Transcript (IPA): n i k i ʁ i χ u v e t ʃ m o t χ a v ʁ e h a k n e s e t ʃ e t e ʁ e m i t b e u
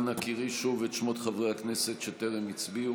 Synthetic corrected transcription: n a k i ʁ i ʃ u v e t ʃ m o t χ a v ʁ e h a k n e s e t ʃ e t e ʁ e m i t͡s b i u